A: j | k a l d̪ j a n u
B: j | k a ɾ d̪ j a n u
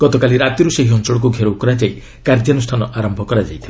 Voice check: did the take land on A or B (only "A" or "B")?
B